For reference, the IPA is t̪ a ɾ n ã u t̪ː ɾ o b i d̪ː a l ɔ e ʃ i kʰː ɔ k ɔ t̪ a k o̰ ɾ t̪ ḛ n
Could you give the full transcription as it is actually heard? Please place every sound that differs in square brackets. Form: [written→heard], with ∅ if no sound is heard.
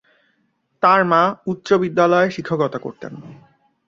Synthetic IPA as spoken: t̪ a ɾ [n→m] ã u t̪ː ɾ o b i d̪ː a l ɔ e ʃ i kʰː [ɔ→o] k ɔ t̪ a k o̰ ɾ t̪ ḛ n